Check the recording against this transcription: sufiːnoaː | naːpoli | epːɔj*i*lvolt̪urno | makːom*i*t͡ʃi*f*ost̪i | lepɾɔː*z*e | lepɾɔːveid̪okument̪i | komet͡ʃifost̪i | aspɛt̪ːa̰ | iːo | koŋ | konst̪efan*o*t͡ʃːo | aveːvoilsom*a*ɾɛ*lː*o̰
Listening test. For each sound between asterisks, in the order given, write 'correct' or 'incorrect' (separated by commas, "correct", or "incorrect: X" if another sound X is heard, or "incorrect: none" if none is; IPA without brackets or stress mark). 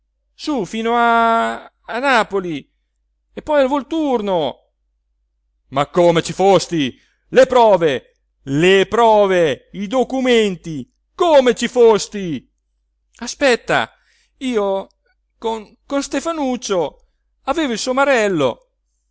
incorrect: a, incorrect: e, correct, incorrect: v, incorrect: u, correct, correct